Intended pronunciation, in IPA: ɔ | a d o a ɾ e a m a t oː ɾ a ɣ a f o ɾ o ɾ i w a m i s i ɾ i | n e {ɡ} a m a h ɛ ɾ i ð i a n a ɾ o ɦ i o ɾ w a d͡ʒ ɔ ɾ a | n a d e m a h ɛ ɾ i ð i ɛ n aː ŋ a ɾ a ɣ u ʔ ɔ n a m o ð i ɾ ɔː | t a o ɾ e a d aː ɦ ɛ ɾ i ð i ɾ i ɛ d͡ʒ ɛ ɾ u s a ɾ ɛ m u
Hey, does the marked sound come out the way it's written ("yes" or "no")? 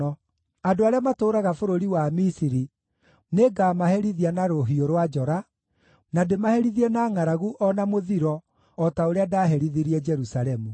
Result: yes